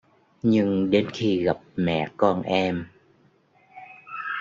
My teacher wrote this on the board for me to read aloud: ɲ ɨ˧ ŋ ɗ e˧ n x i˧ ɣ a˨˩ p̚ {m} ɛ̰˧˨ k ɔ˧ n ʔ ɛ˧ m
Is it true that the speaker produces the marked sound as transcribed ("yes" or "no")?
yes